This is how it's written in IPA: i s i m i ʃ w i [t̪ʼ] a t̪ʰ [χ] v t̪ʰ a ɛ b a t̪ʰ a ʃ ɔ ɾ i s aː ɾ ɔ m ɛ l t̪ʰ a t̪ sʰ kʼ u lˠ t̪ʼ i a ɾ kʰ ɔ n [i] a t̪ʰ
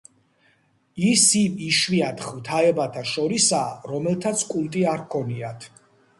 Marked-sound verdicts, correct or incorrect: incorrect, correct, correct

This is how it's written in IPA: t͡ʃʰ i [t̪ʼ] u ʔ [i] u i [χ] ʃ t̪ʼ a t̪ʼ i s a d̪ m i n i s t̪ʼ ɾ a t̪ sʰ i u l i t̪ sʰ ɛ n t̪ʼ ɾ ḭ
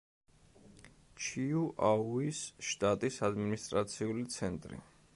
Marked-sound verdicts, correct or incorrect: incorrect, incorrect, incorrect

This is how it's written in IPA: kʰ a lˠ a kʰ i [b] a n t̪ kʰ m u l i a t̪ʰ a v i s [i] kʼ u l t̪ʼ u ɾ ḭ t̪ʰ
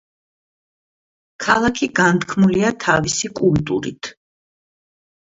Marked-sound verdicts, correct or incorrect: incorrect, correct

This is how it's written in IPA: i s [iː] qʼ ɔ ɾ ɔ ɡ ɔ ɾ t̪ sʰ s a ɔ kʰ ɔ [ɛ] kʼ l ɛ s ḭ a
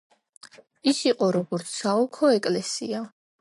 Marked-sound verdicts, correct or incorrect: incorrect, correct

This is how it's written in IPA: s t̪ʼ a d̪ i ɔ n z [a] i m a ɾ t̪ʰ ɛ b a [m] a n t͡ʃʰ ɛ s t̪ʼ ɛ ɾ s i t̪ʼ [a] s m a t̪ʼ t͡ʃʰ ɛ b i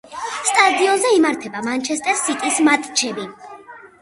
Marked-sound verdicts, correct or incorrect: incorrect, correct, incorrect

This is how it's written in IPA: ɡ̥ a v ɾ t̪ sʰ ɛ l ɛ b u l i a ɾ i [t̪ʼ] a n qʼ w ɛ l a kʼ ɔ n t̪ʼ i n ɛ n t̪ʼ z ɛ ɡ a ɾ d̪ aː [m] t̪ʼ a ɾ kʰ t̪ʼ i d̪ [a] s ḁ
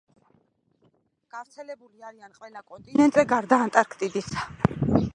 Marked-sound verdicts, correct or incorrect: incorrect, incorrect, incorrect

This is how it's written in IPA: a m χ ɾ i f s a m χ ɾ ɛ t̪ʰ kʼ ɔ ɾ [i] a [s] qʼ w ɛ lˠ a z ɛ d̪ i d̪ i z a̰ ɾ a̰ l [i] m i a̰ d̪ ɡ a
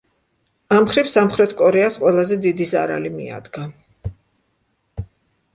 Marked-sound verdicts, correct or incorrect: incorrect, correct, correct

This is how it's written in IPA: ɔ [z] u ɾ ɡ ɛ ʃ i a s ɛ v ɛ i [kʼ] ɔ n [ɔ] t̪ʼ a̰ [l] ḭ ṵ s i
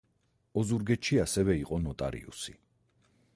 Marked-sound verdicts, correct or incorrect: correct, incorrect, correct, incorrect

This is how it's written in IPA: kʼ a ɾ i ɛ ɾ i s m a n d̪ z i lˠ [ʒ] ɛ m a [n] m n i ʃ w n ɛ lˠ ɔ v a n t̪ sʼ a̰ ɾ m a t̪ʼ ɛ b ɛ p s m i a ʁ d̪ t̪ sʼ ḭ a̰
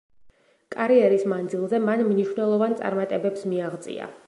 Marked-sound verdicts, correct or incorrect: incorrect, correct

